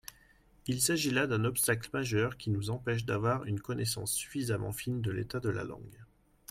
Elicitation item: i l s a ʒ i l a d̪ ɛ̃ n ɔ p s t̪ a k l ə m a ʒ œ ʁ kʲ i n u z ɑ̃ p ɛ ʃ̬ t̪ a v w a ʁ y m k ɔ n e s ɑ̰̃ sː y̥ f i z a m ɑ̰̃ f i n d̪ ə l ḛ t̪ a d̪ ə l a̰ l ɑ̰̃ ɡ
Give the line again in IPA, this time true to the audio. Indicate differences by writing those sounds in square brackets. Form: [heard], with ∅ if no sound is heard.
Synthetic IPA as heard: i l s a ʒ i l a d̪ ɛ̃ n ɔ p s t̪ a k l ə m a ʒ œ ʁ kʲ i n u z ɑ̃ p ɛ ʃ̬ [d̪] a v w a ʁ y [n] k ɔ n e s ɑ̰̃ sː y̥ f i z a m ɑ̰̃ f i n d̪ ə l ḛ t̪ a d̪ ə l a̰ l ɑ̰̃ ɡ